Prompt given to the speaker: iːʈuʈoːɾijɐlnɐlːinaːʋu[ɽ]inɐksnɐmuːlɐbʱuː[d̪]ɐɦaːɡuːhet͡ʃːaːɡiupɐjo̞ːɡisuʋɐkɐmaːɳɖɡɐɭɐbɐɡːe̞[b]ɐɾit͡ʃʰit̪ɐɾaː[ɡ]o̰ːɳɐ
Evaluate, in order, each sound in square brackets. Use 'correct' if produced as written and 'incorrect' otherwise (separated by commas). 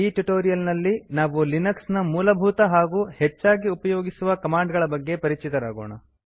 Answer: incorrect, incorrect, incorrect, correct